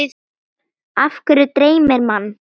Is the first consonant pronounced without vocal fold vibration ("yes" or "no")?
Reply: yes